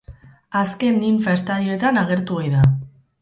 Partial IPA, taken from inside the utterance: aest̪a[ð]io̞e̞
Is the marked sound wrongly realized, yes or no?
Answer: no